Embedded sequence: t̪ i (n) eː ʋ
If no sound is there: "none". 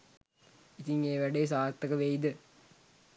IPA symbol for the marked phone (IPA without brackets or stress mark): ŋ